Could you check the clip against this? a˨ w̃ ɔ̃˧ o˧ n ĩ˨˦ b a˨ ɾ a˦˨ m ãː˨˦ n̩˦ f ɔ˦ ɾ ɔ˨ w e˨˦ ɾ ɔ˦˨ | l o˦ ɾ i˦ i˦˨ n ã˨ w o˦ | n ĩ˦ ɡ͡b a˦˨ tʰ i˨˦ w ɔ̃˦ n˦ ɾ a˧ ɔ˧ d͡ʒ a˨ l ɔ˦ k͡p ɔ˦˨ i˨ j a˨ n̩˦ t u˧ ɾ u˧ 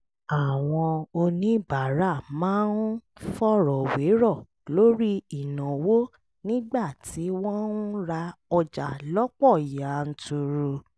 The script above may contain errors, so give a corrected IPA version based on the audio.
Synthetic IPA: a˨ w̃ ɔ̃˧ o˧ n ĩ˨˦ b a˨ ɾ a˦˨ m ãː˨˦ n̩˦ f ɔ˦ ɾ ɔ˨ w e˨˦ ɾ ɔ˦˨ | l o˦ ɾ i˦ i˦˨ n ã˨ w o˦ | n ĩ˦ ɡ͡b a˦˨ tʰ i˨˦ w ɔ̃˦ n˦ ɾ a˧ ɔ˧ d͡ʒ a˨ l ɔ˦ k͡p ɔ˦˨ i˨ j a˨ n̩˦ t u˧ ɾ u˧